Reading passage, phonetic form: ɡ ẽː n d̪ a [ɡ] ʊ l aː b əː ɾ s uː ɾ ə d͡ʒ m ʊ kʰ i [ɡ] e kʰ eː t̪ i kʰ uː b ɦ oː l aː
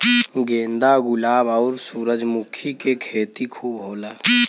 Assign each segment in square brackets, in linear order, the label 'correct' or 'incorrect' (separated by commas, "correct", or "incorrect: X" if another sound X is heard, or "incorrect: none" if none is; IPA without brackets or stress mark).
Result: correct, incorrect: k